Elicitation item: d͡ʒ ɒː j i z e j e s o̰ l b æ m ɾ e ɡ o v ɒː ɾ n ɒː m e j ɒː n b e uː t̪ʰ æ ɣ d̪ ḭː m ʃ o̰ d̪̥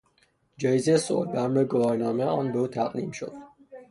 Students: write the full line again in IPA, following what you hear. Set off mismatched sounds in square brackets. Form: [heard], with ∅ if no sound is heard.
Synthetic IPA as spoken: d͡ʒ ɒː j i z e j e s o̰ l b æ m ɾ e ɡ o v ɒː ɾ n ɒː m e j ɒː n b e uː t̪ʰ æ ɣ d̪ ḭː m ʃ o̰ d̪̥